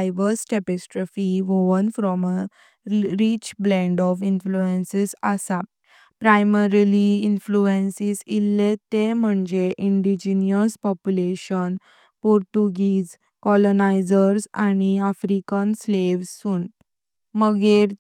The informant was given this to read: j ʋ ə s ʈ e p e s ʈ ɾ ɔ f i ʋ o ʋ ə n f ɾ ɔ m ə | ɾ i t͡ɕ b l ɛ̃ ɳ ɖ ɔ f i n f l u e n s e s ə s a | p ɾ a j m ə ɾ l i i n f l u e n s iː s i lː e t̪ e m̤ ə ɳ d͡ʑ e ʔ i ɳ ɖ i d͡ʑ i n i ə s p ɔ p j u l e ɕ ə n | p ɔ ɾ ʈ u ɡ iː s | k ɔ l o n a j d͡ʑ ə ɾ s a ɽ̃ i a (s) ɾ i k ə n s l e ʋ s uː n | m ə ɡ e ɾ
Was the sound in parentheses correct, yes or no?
no